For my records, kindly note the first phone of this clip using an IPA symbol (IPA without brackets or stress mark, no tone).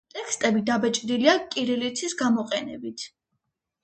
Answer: t̪ʼ